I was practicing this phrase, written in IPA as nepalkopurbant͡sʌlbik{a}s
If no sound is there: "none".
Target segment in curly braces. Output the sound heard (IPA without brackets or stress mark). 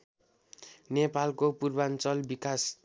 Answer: a